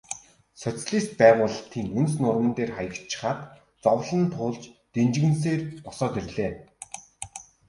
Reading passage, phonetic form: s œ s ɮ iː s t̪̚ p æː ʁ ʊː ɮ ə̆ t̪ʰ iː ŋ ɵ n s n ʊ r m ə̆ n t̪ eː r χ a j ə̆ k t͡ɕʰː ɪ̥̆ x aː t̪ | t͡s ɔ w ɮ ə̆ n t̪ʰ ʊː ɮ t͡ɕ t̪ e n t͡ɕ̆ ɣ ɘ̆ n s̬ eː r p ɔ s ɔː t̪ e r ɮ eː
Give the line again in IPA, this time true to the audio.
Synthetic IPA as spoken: s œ t͡s ɮ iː s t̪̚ p æː ʁ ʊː ɮ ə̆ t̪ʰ iː ŋ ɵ n s n ʊ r m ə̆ n t̪ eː r χ a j ə̆ k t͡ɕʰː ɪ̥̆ χ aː t̪ | t͡s ɔ w ɮ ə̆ n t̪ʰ ʊː ɮ t͡ɕ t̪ e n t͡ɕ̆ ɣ ɘ̆ n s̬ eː r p ɔ s ɔː t̪ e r ɮ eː